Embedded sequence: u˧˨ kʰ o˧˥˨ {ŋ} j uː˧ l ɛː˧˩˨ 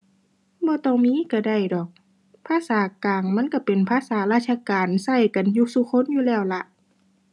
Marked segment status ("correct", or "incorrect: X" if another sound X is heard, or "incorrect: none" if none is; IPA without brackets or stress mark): incorrect: n